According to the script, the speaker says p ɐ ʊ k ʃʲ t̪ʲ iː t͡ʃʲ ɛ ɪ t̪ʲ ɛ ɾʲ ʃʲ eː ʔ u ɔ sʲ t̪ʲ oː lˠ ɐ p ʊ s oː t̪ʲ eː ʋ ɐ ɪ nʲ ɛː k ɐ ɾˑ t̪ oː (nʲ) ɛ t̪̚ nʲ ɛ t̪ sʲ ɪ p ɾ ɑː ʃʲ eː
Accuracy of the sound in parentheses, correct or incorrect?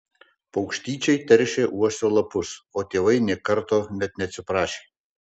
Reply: correct